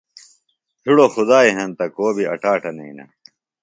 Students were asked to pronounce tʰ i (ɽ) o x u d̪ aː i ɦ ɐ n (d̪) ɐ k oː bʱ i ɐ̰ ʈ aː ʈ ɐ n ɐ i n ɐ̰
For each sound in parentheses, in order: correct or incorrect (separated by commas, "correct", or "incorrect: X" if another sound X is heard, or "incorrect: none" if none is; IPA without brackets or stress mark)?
correct, incorrect: t̪